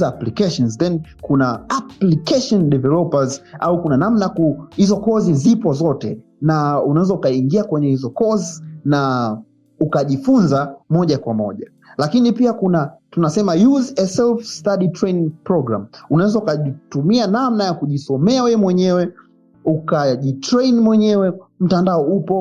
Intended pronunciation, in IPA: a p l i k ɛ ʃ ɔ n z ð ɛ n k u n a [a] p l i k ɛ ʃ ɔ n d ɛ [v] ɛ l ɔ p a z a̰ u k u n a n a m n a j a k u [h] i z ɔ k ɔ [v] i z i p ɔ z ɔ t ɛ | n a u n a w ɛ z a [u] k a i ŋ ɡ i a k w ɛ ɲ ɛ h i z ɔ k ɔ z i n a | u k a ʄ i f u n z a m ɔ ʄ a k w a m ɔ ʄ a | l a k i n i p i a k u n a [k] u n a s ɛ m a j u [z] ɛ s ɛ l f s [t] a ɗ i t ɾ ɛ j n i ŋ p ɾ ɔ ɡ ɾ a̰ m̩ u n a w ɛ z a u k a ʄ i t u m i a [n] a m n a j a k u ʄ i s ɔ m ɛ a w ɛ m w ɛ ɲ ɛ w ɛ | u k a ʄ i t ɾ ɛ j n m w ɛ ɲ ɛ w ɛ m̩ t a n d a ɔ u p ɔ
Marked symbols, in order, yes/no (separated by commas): yes, yes, yes, no, yes, no, yes, yes, yes